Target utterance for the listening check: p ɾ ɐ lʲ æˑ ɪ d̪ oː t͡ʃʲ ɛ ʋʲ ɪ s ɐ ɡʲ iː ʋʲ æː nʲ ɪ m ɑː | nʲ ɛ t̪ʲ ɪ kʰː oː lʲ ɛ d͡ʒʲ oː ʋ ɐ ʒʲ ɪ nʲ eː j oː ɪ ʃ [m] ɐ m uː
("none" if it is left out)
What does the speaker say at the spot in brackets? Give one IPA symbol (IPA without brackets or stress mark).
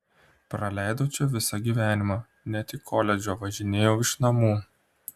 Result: n